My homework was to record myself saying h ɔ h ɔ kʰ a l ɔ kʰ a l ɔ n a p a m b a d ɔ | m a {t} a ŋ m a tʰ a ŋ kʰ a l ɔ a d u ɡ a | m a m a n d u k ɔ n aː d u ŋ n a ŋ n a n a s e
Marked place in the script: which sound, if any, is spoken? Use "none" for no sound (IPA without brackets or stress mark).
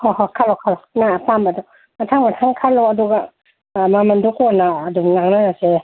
tʰ